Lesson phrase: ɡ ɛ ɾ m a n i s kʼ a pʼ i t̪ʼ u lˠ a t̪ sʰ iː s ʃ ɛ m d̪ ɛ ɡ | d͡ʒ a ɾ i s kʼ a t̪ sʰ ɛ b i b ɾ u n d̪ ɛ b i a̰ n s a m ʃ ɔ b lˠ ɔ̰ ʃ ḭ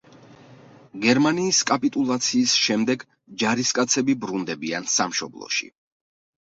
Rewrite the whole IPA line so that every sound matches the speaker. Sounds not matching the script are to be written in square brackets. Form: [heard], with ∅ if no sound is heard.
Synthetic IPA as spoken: ɡ ɛ ɾ m a n [iː] s kʼ a pʼ i t̪ʼ u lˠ a t̪ sʰ iː s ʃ ɛ m d̪ ɛ ɡ | d͡ʒ a ɾ i s kʼ a t̪ sʰ ɛ b i b ɾ u n d̪ ɛ b i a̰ n s a m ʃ ɔ b lˠ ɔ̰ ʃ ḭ